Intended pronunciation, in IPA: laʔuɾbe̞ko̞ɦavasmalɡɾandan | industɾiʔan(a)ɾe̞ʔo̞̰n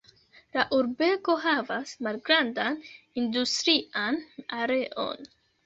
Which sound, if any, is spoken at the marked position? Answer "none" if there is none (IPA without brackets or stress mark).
a